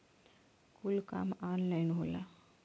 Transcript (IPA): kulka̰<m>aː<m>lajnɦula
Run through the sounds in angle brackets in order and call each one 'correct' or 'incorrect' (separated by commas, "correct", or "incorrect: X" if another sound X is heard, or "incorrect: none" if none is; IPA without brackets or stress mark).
correct, incorrect: n